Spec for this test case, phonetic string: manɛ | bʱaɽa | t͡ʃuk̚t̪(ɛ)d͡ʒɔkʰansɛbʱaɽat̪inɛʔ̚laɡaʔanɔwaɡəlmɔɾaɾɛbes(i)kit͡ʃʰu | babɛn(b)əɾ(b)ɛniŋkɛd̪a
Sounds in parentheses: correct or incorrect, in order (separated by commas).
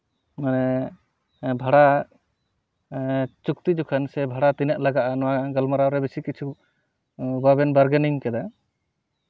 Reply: incorrect, correct, correct, incorrect